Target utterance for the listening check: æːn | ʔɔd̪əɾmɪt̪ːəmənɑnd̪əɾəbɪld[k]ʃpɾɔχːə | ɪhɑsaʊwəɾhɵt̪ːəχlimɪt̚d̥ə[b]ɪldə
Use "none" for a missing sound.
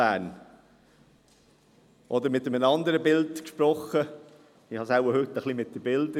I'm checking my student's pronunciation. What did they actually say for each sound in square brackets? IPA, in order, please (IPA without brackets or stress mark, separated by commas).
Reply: k, b